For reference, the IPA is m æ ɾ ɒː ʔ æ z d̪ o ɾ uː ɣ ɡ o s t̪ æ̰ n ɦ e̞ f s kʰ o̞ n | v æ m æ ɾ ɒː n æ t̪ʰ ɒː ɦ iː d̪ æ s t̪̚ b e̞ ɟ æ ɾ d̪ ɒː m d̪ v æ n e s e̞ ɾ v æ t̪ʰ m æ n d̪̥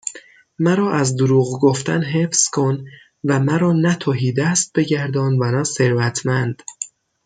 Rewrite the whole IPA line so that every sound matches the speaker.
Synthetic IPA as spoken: m æ ɾ ɒː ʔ æ z d̪ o ɾ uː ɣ ɡ o f t̪ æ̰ n ɦ e̞ f s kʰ o̞ n | v æ m æ ɾ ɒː n æ t̪ʰ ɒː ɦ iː d̪ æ s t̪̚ b e̞ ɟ æ ɾ d̪ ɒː n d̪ v æ n æ s e̞ ɾ v æ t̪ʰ m æ n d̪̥

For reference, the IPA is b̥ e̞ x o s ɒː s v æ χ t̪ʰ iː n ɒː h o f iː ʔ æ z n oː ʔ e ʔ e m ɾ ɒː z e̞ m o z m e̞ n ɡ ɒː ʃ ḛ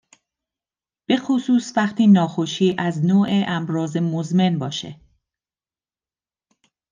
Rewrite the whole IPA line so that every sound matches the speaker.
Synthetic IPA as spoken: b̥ e̞ x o s uː s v æ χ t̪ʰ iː n ɒː x o ʃ iː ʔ æ z n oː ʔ e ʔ æ m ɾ ɒː z e̞ m o z m e̞ n b ɒː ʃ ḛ

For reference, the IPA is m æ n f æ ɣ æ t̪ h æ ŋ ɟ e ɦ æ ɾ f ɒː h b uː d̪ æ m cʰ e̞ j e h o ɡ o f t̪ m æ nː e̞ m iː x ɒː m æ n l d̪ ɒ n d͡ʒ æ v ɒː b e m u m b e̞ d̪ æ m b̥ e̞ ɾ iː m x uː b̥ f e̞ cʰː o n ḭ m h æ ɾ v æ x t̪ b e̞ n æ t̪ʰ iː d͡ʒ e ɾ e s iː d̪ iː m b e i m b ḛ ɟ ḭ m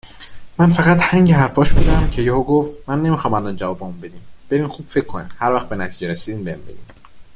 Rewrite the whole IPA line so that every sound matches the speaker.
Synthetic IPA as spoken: m æ n f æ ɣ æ t̪ h æ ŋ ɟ e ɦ æ ɾ f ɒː ʃ b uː d̪ æ m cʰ e̞ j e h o ɡ o f t̪ m æ nː e̞ m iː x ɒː m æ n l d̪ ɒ n d͡ʒ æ v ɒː b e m u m b e̞ d̪ i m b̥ e̞ ɾ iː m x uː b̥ f e̞ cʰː o n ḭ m h æ ɾ v æ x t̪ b e̞ n æ t̪ʰ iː d͡ʒ e ɾ e s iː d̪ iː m b e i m b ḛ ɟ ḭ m

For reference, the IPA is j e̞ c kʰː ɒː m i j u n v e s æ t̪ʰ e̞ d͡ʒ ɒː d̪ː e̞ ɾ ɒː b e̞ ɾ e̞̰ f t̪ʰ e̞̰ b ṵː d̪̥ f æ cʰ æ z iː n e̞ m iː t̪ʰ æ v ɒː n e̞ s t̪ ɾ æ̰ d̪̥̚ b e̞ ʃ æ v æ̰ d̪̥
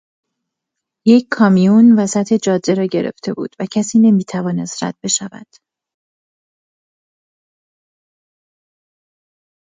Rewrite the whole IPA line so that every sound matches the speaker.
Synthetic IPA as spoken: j e̞ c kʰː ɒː m i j u n v æ s æ t̪ʰ e̞ d͡ʒ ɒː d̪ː e̞ ɾ ɒː ɟ e̞ ɾ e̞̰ f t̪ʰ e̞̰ b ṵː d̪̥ v æ cʰ æ s iː n e̞ m iː t̪ʰ æ v ɒː n e̞ s t̪ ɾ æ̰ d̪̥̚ b e̞ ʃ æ v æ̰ d̪̥

